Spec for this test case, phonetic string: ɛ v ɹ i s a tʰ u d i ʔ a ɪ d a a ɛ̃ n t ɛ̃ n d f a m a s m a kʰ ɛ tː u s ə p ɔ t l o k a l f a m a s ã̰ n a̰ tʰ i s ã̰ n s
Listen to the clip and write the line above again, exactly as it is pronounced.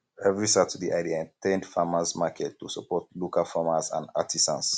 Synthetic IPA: ɛ v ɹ i s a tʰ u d i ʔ a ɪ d i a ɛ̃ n t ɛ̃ n d f a m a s m a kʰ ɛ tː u s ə p ɔ t l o k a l f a m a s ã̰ n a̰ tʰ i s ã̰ n s